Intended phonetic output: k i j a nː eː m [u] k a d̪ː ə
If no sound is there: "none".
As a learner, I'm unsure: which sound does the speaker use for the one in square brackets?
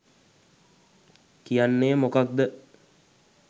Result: o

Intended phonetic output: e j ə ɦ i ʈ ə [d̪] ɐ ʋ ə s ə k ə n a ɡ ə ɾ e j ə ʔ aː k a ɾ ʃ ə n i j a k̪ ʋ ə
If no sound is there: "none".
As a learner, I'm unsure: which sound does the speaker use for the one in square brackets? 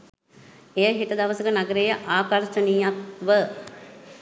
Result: d̪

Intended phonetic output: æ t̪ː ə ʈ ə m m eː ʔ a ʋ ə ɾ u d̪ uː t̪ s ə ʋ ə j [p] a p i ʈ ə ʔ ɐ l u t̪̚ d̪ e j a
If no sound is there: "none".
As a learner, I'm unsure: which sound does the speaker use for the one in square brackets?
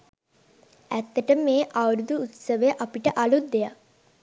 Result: ʔ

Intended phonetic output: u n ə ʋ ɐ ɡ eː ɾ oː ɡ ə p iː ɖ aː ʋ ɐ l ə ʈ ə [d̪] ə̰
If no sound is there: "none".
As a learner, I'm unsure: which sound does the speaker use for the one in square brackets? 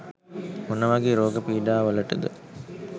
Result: d̪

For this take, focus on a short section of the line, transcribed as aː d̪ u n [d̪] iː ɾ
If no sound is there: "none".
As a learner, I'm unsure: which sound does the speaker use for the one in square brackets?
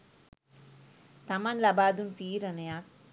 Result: t̪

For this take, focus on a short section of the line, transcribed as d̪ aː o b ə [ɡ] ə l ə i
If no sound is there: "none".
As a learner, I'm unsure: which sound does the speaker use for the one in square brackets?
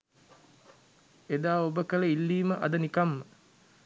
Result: k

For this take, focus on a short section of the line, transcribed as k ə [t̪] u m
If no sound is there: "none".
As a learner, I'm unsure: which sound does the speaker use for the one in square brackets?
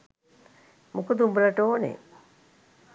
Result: d̪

